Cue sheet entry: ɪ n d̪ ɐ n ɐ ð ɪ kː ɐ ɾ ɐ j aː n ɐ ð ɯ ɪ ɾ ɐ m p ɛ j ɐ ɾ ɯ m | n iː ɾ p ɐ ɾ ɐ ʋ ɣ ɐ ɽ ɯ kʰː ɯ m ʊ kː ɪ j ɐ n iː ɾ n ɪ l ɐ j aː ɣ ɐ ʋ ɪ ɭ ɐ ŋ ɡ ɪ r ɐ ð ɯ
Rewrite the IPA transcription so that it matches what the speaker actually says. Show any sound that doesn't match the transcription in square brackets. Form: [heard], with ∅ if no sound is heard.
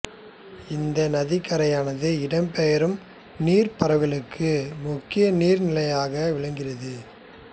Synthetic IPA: ɪ n d̪ ɐ n ɐ ð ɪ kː ɐ ɾ ɐ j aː n ɐ ð ɯ ɪ [ɽ] ɐ m p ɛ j ɐ ɾ ɯ m | n iː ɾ p ɐ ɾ ɐ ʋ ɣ ɐ [ɭ] ɯ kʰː ɯ m ʊ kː ɪ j ɐ n iː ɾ n ɪ l ɐ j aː ɣ ɐ ʋ ɪ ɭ ɐ ŋ ɡ ɪ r ɐ ð ɯ